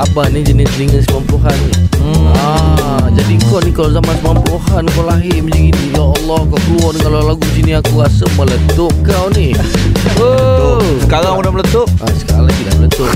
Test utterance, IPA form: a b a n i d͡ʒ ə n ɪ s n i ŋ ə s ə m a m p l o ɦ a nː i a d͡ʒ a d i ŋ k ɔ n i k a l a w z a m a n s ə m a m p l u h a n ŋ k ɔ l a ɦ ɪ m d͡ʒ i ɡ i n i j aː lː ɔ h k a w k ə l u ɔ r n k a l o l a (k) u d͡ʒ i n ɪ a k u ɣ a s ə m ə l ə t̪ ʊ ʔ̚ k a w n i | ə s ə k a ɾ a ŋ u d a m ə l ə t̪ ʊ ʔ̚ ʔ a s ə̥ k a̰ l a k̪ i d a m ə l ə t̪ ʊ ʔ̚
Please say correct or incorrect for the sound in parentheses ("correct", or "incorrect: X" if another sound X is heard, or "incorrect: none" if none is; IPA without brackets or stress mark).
incorrect: ɡ